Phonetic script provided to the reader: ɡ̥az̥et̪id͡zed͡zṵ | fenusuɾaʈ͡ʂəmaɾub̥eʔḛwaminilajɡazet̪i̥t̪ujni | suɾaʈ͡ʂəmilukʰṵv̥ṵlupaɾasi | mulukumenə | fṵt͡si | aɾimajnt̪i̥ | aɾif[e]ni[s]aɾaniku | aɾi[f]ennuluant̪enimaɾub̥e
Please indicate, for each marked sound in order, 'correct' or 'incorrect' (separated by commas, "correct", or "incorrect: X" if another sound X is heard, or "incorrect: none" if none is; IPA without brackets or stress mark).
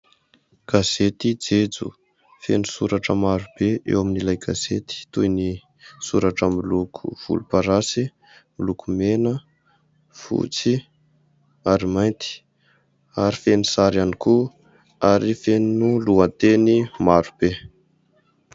correct, correct, correct